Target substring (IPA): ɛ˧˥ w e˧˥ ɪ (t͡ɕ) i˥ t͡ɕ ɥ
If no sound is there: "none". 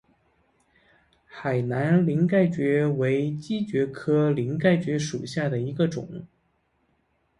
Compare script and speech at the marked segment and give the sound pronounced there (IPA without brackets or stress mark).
t͡ɕ